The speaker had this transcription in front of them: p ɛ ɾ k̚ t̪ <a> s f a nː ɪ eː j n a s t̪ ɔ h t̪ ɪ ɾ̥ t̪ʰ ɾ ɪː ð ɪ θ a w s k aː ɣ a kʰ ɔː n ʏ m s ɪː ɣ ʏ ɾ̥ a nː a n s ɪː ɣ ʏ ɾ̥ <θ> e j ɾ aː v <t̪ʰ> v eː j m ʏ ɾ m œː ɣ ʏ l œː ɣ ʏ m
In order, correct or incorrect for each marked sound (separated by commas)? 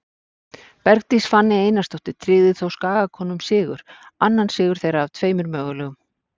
incorrect, correct, correct